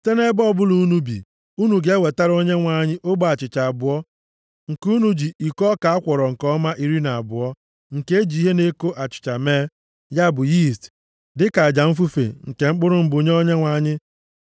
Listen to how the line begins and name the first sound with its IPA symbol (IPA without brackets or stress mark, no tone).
t